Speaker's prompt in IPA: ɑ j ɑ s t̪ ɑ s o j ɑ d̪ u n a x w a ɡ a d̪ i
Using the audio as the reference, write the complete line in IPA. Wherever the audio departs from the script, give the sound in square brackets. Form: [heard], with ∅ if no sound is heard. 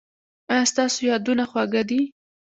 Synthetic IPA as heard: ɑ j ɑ s t̪ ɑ s o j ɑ d̪ u n a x w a ɡ a d̪ i